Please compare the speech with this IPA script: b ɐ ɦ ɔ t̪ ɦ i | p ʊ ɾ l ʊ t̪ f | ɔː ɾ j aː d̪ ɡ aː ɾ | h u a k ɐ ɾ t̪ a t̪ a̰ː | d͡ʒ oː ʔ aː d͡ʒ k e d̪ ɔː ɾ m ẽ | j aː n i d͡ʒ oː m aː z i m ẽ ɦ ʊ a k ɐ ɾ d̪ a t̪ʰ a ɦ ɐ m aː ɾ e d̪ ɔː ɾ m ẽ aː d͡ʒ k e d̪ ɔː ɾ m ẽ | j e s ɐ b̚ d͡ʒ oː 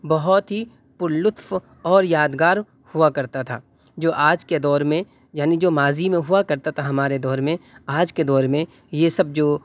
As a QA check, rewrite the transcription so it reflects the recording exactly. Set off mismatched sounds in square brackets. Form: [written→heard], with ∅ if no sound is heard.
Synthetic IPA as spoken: b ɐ ɦ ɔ t̪ ɦ i | p ʊ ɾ l ʊ t̪ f | ɔː ɾ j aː d̪ ɡ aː ɾ | h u a k ɐ ɾ t̪ a [t̪→t̪ʰ] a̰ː | d͡ʒ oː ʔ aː d͡ʒ k e d̪ ɔː ɾ m ẽ | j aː n i d͡ʒ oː m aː z i m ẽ ɦ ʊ a k ɐ ɾ [d̪→t̪] a t̪ʰ a ɦ ɐ m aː ɾ e d̪ ɔː ɾ m ẽ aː d͡ʒ k e d̪ ɔː ɾ m ẽ | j e s ɐ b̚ d͡ʒ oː